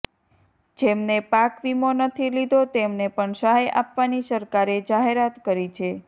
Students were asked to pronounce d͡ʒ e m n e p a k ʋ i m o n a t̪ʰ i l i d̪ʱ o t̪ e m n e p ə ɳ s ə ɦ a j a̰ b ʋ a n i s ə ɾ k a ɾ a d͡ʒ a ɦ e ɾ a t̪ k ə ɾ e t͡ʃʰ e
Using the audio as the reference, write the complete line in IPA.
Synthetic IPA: d͡ʒ e m n e p a k ʋ i m o n ə t̪ʰ i l i d̪ʱ o t̪ e m n e p ə ɳ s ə ɦ a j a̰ p ʋ a n i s ə ɾ k a ɾ e d͡ʒ a ɦ e ɾ a t̪ k ə ɾ i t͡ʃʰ e